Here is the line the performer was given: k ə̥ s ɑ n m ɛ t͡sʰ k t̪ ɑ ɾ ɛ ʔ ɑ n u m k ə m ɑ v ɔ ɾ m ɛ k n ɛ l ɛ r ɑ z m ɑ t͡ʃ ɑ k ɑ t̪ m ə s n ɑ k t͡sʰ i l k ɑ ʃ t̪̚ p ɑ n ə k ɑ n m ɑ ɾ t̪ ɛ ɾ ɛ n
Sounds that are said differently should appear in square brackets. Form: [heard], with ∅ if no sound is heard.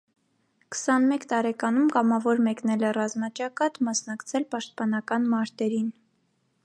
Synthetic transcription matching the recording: k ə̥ s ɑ n m ɛ [∅] k t̪ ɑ ɾ ɛ [k] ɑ n u m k [ɑ] m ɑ v ɔ ɾ m ɛ k n ɛ l ɛ r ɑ z m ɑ t͡ʃ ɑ k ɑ t̪ m [ɑ] s n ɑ k t͡sʰ [ɛ] l [p] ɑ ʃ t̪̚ p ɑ n [ɑ] k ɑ n m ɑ ɾ t̪ ɛ ɾ [i] n